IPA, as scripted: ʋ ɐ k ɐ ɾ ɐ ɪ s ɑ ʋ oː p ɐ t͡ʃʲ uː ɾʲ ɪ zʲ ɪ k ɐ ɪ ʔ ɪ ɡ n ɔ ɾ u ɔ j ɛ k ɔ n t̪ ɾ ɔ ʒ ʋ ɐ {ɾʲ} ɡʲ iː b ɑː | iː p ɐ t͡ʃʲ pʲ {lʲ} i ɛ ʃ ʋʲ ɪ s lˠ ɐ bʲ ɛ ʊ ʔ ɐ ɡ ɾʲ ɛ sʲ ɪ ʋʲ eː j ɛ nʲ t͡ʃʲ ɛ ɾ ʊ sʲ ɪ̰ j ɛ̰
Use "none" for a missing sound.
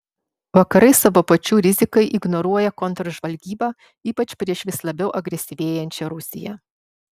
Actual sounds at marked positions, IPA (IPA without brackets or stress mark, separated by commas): lʲ, ɾʲ